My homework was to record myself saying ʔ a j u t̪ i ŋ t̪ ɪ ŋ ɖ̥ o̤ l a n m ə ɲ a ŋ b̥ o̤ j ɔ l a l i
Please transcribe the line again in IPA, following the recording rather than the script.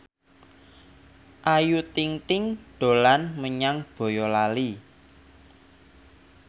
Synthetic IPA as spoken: ʔ a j u t̪ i ŋ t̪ ɪ ŋ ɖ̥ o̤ l a n m ə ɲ a ŋ b̥ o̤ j ɔ l a l i